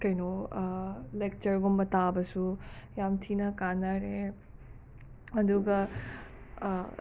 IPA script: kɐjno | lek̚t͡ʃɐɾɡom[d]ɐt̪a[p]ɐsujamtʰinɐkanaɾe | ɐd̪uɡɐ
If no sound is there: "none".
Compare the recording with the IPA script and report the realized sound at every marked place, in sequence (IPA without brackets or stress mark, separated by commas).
b, b